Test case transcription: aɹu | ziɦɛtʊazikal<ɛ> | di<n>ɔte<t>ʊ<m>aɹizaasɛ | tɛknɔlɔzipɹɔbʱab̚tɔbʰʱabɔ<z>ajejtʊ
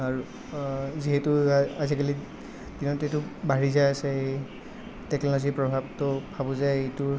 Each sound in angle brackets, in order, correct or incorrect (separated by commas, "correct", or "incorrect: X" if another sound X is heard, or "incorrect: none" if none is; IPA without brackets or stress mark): incorrect: i, correct, correct, incorrect: b, correct